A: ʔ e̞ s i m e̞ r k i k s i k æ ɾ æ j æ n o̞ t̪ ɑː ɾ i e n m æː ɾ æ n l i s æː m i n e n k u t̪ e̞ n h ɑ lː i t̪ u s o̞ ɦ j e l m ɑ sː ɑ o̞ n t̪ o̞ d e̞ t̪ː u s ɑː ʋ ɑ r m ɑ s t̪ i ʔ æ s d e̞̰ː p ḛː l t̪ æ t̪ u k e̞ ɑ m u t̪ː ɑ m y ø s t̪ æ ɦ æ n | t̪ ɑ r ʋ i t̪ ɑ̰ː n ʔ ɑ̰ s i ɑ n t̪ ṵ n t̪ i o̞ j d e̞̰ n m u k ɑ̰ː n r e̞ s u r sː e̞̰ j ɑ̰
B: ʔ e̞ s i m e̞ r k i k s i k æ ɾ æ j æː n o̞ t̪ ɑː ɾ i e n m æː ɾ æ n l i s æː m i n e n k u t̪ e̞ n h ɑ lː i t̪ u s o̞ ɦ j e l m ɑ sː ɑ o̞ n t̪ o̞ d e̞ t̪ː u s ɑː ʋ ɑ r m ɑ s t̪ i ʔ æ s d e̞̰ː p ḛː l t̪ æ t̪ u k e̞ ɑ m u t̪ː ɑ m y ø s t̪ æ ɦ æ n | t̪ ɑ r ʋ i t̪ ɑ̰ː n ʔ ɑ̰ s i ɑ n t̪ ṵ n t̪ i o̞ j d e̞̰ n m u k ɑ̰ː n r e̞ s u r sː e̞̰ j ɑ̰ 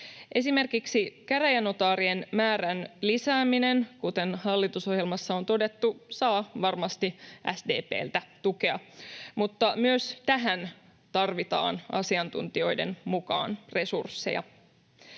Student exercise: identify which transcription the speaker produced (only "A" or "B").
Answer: A